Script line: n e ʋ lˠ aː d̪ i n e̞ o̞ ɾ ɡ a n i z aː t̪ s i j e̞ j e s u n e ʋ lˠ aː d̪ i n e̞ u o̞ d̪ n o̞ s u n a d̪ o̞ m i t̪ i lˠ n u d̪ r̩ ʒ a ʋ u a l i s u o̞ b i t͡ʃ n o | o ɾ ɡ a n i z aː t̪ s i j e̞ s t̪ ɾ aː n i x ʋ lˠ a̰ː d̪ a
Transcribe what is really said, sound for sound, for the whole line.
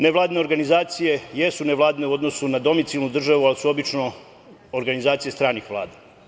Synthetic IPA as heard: n e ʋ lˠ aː d̪ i n e̞ o̞ ɾ ɡ a n i z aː t̪ s i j e̞ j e s u n e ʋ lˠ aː d̪ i n e̞ u o̞ d̪ n o̞ s u n a d̪ o̞ m i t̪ i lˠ n u d̪ r̩ ʒ a ʋ u a l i s u o̞ b i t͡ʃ n o | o ɾ ɡ a n i z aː t̪ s i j e̞ s t̪ ɾ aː n i x ʋ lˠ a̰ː d̪ a